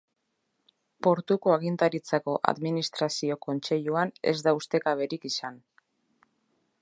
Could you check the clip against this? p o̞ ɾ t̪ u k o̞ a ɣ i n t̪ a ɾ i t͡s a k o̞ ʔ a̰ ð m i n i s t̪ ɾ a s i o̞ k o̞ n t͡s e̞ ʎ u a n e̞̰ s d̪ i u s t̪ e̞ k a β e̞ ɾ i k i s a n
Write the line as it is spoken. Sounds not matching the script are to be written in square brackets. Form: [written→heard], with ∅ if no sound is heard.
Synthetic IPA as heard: p o̞ ɾ t̪ u k o̞ a ɣ i n t̪ a ɾ i t͡s a k o̞ ʔ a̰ ð m i n i s t̪ ɾ a s i o̞ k o̞ n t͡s e̞ ʎ u a n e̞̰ [s→z] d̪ [i→a] u s t̪ e̞ k a β e̞ ɾ i k i s a n